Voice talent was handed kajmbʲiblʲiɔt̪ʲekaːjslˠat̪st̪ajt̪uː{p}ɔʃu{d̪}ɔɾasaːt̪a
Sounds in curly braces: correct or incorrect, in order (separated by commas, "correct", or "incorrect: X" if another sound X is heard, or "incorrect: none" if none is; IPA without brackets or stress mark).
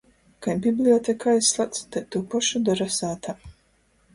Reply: correct, correct